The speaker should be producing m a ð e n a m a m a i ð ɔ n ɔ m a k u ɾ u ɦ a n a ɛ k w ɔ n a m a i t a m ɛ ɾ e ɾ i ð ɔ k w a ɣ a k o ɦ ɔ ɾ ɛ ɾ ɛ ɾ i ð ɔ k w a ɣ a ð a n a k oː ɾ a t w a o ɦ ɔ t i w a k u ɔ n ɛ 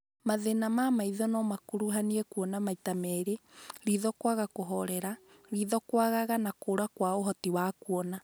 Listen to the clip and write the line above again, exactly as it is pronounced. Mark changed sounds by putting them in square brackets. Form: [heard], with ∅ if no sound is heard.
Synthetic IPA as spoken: m a ð e n a m a m a i ð ɔ n ɔ m a k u ɾ u ɦ a n [i] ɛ k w ɔ n a m a i t a m ɛ ɾ e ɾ i ð ɔ k w a ɣ a k o ɦ ɔ ɾ ɛ ɾ [a] ɾ i ð ɔ k w a ɣ a [ɣ] a n a k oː ɾ a [k] w a o ɦ ɔ t i w a k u ɔ n [a]